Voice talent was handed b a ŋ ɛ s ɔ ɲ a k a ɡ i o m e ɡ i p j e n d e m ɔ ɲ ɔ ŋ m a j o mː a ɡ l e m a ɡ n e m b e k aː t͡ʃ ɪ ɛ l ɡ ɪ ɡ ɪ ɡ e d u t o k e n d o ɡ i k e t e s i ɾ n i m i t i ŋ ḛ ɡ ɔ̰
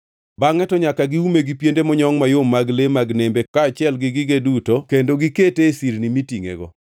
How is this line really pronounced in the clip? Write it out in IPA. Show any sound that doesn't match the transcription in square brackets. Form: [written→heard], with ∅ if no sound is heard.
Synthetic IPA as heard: b a ŋ ɛ [s→t] ɔ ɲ a k a ɡ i [o→u] m e ɡ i p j e n d e m ɔ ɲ ɔ ŋ m a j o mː a ɡ l e m a ɡ n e m b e k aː t͡ʃ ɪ ɛ l ɡ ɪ ɡ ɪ ɡ e d u t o k e n d o ɡ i k e t e s i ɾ n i m i t i ŋ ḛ ɡ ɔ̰